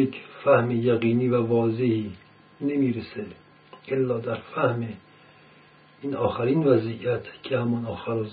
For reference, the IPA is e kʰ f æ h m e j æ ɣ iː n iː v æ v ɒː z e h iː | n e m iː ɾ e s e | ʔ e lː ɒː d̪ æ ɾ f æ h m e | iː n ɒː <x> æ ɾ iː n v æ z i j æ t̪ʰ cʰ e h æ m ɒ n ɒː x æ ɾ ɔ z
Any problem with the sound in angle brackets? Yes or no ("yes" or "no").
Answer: no